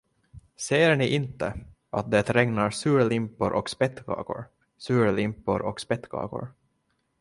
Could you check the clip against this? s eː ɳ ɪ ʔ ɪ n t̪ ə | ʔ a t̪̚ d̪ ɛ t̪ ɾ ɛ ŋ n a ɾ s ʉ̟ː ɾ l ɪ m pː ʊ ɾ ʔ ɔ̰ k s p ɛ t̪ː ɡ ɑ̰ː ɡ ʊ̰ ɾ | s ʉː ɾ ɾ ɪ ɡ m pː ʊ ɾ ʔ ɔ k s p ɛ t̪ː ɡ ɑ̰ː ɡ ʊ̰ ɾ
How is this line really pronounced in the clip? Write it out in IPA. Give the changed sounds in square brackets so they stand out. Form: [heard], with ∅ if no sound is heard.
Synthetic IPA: s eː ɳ ɪ ʔ ɪ n t̪ ə | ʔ a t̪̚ d̪ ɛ t̪ ɾ ɛ ŋ n a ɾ s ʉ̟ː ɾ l ɪ m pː ʊ ɾ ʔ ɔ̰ k s p ɛ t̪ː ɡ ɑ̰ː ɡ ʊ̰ ɾ | s ʉː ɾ [l] ɪ [∅] m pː ʊ ɾ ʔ ɔ k s p ɛ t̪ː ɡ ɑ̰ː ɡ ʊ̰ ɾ